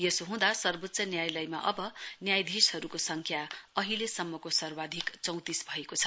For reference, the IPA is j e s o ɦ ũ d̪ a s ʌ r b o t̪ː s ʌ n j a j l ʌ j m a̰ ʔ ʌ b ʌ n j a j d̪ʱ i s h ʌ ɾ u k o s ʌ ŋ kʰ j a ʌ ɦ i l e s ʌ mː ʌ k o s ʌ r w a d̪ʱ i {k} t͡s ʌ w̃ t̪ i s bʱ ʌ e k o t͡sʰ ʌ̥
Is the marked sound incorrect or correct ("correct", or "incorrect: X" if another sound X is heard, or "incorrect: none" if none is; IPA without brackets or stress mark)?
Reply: correct